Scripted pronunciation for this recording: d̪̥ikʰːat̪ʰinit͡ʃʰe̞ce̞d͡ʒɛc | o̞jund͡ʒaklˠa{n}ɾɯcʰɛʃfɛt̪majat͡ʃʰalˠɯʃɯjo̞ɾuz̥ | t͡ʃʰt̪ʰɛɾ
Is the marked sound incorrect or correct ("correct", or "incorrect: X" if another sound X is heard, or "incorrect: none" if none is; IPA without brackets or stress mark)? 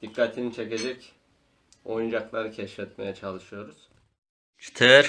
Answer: incorrect: none